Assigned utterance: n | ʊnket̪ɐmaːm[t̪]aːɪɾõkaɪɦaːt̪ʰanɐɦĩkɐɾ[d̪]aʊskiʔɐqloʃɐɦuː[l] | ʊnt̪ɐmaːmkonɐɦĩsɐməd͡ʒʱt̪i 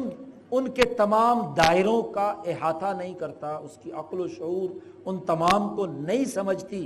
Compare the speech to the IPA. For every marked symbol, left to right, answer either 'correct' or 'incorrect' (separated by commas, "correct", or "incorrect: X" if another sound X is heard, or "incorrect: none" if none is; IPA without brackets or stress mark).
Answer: incorrect: d̪, incorrect: t̪, incorrect: ɾ